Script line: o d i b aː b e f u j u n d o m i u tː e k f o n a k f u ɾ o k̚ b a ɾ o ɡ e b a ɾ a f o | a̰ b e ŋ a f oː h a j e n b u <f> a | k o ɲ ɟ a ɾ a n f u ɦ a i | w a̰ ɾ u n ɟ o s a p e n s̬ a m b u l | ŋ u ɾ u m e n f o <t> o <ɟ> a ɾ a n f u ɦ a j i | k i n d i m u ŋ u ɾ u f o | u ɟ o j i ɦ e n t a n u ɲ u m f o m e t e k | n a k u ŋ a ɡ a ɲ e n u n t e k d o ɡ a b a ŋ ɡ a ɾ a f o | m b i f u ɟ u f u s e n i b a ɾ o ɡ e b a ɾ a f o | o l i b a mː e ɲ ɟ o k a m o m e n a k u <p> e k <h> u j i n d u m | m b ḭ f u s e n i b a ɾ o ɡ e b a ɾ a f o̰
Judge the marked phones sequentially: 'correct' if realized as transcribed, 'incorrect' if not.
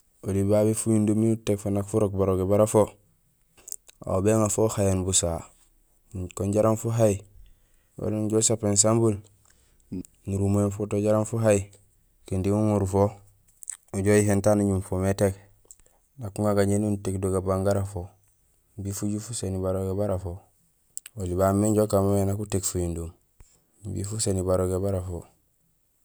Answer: incorrect: s, correct, correct, incorrect: t, incorrect: f

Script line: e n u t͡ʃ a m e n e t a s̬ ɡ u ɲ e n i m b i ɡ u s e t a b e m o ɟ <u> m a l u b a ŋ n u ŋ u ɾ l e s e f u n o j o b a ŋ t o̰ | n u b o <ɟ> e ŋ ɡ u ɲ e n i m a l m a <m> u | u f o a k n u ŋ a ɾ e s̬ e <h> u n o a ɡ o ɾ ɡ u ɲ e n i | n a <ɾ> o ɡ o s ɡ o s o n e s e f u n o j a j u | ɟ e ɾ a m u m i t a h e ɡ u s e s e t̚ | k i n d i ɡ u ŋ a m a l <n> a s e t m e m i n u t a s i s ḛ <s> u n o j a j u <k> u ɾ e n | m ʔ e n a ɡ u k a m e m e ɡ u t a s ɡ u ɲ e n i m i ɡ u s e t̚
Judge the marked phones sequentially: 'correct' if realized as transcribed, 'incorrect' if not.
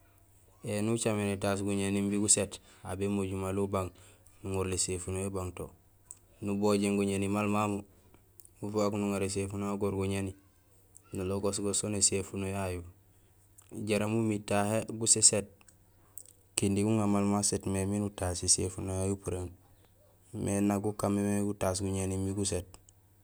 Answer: correct, correct, correct, incorrect: f, incorrect: l, incorrect: m, incorrect: f, incorrect: p

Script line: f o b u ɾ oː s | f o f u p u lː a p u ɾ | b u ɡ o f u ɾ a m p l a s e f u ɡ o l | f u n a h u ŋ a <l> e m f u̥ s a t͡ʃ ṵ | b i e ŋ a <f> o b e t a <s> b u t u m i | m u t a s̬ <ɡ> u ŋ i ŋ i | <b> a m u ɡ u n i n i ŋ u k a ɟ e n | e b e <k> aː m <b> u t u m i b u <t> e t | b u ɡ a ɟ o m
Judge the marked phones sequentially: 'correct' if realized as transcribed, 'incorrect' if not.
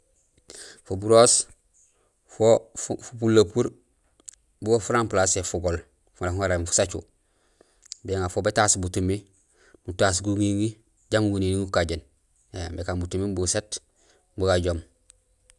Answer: incorrect: ɾ, correct, correct, correct, incorrect: ɟ, correct, correct, incorrect: s

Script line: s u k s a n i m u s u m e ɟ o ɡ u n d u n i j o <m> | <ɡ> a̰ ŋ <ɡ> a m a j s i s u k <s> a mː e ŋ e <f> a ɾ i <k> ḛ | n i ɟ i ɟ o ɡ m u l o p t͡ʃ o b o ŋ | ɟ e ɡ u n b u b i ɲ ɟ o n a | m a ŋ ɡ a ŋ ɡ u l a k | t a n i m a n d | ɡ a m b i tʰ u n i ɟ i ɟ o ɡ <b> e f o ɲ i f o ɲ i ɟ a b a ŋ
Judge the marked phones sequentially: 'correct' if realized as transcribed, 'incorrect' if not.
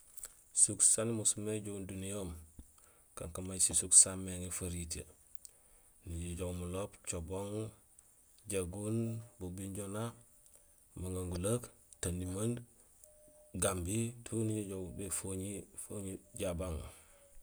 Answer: correct, incorrect: k, incorrect: k, correct, correct, incorrect: t, correct

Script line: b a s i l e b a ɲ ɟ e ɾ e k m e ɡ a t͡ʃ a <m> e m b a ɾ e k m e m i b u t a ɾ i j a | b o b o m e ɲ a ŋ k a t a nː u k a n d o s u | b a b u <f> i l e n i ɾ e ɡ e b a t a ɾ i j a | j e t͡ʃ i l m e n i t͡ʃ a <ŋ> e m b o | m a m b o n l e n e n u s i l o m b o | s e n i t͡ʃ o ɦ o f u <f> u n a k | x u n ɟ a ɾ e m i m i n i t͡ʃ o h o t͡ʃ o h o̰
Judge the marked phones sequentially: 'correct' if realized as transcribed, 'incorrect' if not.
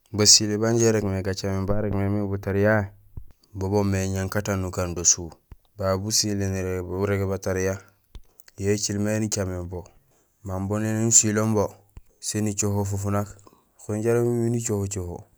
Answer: correct, incorrect: s, incorrect: m, correct

